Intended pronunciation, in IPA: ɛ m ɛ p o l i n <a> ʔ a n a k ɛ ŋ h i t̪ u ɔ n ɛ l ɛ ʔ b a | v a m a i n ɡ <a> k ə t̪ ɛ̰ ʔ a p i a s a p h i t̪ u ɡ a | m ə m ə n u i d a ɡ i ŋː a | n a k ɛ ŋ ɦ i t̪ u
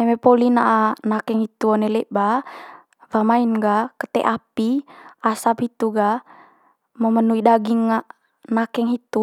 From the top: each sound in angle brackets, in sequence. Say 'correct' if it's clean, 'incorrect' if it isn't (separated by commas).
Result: correct, correct